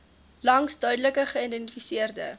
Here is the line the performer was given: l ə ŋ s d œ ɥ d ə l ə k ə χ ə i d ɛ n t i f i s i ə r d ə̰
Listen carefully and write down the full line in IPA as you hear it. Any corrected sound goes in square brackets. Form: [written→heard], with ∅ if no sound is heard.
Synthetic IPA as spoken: l [ə→ɐ] ŋ s d œ ɥ d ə l ə k ə χ ə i d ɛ n t i f i s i ə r d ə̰